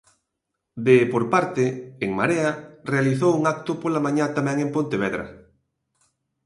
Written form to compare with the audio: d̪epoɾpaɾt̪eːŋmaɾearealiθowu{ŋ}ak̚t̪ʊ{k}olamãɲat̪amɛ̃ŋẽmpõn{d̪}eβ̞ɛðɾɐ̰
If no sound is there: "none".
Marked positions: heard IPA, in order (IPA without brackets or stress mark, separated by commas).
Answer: ŋ, p, t̪